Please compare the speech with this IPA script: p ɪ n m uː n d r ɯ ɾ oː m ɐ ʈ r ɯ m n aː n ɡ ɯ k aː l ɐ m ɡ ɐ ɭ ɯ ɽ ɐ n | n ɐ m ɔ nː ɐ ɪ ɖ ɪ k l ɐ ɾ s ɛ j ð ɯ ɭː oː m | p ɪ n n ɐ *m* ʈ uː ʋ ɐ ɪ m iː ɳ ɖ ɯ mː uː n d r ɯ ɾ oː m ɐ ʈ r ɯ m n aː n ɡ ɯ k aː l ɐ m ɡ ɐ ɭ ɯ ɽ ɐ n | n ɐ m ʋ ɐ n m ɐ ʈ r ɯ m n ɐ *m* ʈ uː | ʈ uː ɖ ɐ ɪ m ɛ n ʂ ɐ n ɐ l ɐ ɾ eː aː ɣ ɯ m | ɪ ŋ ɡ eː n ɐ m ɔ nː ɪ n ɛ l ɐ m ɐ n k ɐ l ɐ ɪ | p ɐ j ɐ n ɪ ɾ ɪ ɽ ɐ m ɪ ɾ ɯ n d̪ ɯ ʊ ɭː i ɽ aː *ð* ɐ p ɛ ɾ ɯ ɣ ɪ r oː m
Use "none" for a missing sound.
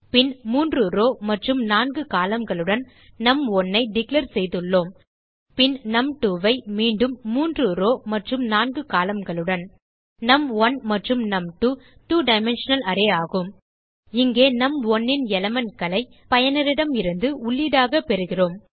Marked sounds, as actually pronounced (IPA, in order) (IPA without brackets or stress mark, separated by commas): m, m, ɣ